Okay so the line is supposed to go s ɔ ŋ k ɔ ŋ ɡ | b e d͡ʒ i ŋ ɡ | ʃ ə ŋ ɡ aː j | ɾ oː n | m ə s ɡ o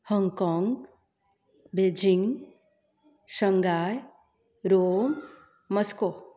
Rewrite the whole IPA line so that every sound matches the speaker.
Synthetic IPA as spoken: h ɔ ŋ k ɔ ŋ ɡ | b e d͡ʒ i ŋ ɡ | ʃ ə ŋ ɡ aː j | ɾ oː m | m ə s k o